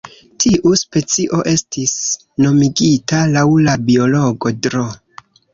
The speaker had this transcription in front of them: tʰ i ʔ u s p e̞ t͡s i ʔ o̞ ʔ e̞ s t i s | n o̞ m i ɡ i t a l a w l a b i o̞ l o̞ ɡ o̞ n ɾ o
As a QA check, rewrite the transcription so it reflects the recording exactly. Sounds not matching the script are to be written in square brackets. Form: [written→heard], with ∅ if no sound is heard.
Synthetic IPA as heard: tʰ i ʔ u s p e̞ t͡s i ʔ o̞ ʔ e̞ s t i s | n o̞ m i ɡ i t a l a w l a b i o̞ l o̞ ɡ o̞ [n→d] ɾ o